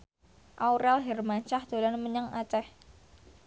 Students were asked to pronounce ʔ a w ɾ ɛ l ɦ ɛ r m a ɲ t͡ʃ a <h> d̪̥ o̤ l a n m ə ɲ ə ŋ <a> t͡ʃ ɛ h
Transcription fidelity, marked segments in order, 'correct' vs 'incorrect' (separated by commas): correct, correct